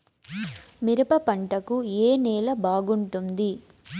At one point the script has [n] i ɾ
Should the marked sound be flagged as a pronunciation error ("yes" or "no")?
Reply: yes